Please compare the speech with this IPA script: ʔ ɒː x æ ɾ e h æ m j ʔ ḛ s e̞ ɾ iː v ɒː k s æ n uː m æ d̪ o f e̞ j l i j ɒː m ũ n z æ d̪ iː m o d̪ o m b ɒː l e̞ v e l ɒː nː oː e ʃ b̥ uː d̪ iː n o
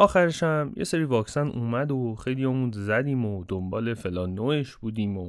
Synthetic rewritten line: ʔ ɒː x æ ɾ e ʃ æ m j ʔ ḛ s e̞ ɾ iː v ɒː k s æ n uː m æ d̪ o x e̞ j l i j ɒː m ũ n z æ d̪ iː m o d̪ o m b ɒː l e̞ f e l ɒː nː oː e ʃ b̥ uː d̪ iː m o